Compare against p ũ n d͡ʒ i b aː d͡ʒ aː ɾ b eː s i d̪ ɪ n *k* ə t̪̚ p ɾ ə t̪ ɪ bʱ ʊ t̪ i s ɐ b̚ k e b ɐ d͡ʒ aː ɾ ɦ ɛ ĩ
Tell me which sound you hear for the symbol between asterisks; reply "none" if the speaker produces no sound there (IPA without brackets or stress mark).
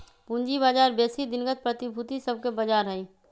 ɡ